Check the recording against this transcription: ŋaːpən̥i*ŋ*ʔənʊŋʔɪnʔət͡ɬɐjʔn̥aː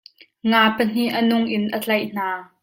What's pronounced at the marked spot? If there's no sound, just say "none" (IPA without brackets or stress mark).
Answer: none